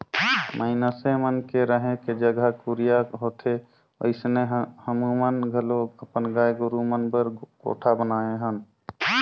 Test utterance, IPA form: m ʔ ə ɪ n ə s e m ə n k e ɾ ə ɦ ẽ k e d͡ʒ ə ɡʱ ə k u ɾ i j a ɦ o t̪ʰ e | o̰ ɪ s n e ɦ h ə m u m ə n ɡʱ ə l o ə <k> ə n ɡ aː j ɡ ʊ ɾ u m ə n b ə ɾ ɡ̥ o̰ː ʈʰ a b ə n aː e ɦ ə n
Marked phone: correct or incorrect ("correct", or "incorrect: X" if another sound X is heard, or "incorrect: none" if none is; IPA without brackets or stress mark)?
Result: incorrect: p